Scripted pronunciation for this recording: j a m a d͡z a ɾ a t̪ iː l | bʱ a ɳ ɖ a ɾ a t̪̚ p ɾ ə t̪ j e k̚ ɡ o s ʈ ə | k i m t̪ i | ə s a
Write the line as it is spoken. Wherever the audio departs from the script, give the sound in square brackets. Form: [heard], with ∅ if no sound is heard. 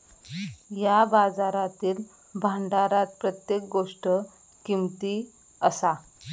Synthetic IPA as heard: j a [b] a d͡z a ɾ a t̪ iː l | bʱ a ɳ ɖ a ɾ a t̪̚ p ɾ ə t̪ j e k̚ ɡ o [ʂ] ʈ ə | k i m t̪ i | ə s a